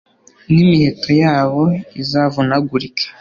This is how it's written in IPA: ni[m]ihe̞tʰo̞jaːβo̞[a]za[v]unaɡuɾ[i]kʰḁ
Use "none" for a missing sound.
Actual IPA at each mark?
m, i, v, i

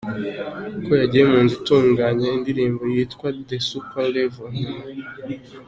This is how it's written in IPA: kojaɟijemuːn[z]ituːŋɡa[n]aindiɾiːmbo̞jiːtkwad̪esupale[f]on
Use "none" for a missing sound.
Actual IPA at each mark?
z, ɲ, v

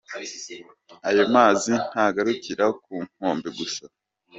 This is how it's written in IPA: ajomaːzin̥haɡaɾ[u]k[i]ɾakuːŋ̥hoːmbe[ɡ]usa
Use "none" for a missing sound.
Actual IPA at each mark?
u, i, ɡ

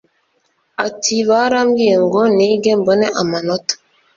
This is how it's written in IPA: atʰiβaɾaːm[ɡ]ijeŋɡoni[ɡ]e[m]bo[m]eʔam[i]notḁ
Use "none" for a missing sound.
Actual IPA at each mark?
ɡ, ɡ, m, n, a

